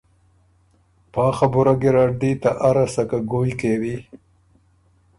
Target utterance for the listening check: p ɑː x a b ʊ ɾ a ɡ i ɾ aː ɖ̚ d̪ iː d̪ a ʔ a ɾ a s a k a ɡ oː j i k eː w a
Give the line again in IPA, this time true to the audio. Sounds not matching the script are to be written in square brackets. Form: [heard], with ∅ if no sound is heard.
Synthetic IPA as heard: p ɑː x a b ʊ ɾ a ɡ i ɾ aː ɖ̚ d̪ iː [t̪] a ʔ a ɾ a s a k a ɡ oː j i k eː w [i]